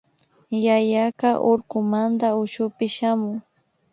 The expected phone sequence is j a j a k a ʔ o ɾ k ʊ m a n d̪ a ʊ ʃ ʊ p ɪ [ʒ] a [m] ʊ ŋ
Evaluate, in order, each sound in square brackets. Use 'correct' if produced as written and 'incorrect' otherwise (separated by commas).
incorrect, correct